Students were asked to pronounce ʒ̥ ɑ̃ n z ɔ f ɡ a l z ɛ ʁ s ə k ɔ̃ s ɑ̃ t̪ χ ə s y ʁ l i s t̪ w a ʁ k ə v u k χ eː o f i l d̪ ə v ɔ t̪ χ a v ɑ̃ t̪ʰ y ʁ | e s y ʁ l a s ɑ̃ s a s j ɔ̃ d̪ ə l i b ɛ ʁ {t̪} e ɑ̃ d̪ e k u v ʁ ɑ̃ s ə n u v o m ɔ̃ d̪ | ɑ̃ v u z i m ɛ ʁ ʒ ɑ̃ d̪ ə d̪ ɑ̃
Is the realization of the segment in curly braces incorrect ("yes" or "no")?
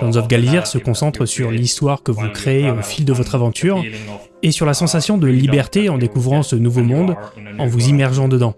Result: no